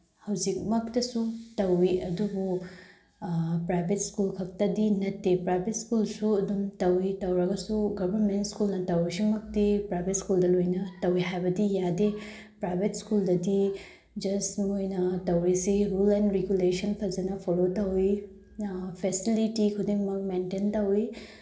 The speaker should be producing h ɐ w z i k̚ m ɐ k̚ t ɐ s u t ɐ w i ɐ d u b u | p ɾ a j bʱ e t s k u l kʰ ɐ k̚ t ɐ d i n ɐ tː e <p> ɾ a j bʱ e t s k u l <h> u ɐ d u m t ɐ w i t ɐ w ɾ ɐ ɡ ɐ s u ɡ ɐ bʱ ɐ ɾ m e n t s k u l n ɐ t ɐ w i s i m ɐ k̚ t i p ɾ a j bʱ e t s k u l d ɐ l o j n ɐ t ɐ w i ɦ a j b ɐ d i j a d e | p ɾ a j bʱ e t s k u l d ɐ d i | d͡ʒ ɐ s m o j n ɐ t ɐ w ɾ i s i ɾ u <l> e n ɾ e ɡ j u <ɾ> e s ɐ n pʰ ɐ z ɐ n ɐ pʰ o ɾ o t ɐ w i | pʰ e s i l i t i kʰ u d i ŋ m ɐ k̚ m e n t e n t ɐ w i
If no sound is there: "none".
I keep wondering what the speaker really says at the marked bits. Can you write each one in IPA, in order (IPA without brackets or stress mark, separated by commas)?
p, s, l, l